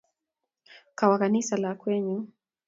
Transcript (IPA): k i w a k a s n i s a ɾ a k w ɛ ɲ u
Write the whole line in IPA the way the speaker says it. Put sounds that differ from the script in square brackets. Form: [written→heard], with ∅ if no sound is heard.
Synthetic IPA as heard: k [i→a] w a k a [s→∅] n i s a [ɾ→l] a k w ɛ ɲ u